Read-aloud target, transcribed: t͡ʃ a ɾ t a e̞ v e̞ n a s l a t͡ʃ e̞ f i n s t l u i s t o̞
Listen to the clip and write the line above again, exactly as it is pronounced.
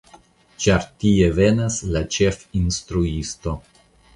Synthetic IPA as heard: t͡ʃ a ɾ t i e̞ v e̞ n a s l a t͡ʃ e̞ f i n s t ɾ u i s t o̞

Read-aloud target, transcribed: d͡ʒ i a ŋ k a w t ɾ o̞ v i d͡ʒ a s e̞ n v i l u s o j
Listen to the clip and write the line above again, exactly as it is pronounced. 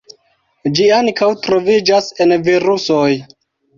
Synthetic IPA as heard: d͡ʒ i a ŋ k a w t ɾ o̞ v i d͡ʒ a s e̞ n v i ɾ u s o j

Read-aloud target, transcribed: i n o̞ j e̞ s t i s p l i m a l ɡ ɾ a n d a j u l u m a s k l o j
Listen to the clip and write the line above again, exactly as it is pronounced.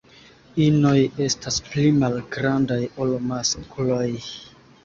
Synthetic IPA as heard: i n o̞ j e̞ s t a s p l i m a l ɡ ɾ a n d a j o l o m a s k l o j

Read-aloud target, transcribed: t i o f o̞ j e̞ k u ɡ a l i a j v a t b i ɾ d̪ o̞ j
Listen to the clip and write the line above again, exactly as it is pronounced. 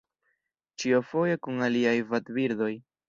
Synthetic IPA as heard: t͡ʃ i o f o̞ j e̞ k u ŋ a l i a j v a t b i ɾ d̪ o̞ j

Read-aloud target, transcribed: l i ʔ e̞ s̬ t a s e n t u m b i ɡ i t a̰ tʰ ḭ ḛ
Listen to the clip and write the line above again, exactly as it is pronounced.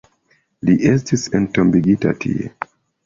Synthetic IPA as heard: l i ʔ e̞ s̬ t i s e n t o m b i ɡ i t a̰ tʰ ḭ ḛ

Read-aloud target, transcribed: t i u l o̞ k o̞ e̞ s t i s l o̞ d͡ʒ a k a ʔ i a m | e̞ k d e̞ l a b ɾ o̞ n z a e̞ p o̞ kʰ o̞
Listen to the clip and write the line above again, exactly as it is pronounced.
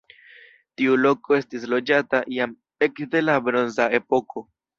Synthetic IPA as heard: t i u l o̞ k o̞ e̞ s t i s l o̞ d͡ʒ a t a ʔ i a m | e̞ k d e̞ l a b ɾ o̞ n z a e̞ p o̞ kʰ o̞

